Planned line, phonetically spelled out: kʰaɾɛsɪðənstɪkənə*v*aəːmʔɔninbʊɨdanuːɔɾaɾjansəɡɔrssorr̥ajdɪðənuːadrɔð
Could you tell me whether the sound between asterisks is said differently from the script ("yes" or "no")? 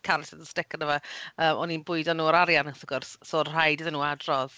no